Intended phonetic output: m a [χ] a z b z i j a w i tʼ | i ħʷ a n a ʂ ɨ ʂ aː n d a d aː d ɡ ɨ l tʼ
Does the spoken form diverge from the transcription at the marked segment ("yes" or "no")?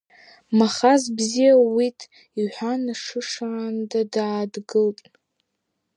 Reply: no